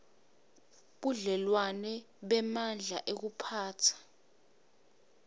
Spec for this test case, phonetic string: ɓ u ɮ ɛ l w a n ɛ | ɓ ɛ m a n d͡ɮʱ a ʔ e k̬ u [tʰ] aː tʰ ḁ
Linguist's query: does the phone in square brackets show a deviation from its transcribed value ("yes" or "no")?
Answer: yes